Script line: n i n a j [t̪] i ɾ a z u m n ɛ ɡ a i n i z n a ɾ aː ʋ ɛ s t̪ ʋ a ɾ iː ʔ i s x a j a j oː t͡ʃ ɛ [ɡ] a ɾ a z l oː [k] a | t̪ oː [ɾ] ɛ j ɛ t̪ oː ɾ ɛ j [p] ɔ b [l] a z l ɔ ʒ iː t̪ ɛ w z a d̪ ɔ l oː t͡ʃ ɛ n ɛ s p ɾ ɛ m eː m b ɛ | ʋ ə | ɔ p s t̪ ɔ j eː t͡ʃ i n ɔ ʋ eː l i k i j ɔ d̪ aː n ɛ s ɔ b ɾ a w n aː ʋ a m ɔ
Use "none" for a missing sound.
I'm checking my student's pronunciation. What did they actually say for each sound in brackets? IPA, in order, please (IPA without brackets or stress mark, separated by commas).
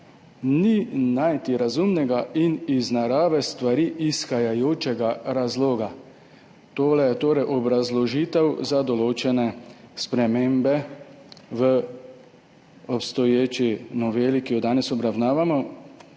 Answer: t̪, ɡ, ɡ, l, ʔ, ɾ